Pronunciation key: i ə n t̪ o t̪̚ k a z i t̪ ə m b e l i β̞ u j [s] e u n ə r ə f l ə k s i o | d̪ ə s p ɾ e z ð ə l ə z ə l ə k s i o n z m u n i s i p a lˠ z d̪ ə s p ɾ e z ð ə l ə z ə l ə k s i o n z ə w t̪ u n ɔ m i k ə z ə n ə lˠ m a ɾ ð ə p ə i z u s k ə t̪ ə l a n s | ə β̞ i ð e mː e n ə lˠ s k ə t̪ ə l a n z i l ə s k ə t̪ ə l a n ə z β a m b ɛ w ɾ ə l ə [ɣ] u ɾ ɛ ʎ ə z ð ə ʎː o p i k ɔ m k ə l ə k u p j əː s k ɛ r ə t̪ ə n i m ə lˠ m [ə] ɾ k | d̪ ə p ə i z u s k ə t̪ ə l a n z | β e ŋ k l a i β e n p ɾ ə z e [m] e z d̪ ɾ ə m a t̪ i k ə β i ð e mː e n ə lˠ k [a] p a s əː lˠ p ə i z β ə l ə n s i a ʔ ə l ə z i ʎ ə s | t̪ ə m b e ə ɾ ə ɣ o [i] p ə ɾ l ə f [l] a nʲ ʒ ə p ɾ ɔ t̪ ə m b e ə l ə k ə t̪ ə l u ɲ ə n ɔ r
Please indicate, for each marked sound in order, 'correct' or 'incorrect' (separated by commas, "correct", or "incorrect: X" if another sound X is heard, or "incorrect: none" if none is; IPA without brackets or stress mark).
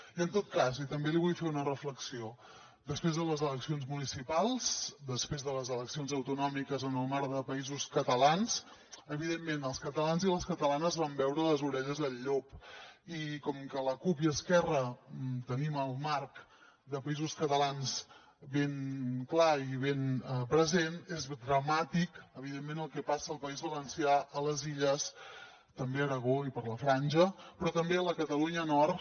incorrect: f, incorrect: z, incorrect: a, incorrect: n, incorrect: ɛ, correct, incorrect: ɾ